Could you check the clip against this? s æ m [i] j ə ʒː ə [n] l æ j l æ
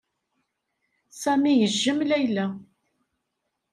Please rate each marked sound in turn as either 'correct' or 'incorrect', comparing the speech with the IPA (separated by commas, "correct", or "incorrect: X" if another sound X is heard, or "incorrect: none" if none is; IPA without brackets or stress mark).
correct, incorrect: m